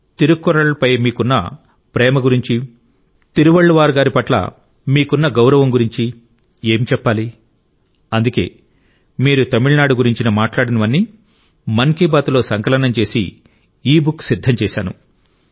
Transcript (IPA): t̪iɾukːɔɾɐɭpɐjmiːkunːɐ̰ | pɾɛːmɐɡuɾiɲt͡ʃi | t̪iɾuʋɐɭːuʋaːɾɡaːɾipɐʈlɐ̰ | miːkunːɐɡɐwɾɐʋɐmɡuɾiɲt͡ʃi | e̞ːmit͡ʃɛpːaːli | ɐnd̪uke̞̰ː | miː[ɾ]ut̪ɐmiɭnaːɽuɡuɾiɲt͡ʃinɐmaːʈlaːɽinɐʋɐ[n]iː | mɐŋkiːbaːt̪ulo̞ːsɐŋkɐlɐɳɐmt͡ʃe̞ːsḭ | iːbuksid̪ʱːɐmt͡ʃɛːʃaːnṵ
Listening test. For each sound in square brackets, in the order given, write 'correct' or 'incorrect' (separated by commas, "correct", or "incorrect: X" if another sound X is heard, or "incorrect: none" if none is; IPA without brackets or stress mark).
correct, incorrect: nː